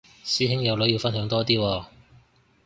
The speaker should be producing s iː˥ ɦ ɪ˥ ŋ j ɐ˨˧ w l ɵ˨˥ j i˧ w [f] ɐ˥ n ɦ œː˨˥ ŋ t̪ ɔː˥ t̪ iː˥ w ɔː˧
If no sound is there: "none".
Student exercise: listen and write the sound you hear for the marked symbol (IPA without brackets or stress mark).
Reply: f